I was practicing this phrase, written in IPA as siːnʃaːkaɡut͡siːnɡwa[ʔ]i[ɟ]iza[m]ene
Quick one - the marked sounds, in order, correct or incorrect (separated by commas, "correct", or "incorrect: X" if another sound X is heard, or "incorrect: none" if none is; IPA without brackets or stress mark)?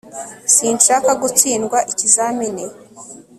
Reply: correct, incorrect: c, correct